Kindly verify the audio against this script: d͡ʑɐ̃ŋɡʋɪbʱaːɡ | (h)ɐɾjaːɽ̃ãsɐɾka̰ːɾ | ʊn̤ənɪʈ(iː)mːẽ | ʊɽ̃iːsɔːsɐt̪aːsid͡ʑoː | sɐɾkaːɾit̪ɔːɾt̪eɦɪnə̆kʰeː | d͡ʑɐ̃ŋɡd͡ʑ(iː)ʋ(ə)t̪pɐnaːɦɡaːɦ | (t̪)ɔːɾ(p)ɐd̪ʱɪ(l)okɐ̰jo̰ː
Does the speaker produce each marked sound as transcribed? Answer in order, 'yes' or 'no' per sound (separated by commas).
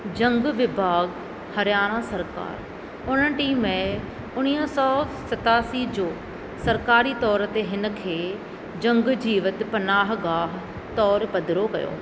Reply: yes, yes, yes, yes, yes, yes, no